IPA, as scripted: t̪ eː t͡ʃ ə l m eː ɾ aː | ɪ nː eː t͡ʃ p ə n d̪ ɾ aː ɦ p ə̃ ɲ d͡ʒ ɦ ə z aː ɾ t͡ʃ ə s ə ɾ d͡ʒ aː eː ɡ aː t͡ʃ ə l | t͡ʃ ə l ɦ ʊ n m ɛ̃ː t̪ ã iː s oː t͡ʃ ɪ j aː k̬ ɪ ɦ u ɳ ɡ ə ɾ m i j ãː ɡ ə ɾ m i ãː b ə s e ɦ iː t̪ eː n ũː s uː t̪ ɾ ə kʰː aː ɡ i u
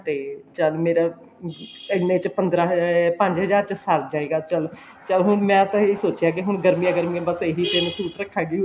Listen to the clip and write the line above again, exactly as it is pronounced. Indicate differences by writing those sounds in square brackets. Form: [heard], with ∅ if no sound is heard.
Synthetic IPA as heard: t̪ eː t͡ʃ ə l m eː ɾ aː | ɪ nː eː t͡ʃ p ə n d̪ ɾ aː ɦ p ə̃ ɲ d͡ʒ ɦ ə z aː ɾ t͡ʃ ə s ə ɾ d͡ʒ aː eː ɡ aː t͡ʃ ə l | t͡ʃ ə l ɦ ʊ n m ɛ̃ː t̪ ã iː s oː t͡ʃ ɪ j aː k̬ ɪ ɦ [ʊ] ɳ ɡ ə ɾ m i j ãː ɡ ə ɾ m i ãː b ə s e ɦ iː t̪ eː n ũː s uː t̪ ɾ ə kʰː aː ɡ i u